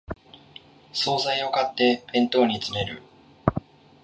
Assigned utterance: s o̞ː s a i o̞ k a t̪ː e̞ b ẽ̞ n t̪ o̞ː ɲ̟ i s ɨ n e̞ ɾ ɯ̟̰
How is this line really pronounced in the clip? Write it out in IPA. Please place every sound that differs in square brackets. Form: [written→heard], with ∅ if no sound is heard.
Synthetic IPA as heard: s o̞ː [s→z] a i o̞ k a t̪ː e̞ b ẽ̞ n t̪ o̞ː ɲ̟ i [s→t͡s] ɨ n e̞ ɾ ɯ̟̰